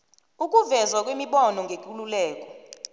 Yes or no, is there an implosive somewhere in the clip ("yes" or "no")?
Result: yes